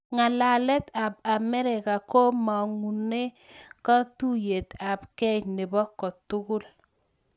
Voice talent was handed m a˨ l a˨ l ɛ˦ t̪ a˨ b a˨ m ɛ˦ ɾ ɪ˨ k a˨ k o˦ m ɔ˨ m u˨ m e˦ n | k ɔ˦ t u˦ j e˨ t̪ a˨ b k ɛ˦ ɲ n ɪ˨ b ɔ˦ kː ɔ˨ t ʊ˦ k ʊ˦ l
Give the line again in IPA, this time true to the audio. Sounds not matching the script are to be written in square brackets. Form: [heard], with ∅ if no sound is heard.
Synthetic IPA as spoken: [ŋ] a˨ l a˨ l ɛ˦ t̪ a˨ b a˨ m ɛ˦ ɾ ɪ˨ k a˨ k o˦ m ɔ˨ [ŋ] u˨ [n] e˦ [∅] | k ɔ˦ t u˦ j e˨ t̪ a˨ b k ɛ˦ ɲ n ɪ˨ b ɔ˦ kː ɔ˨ t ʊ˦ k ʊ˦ l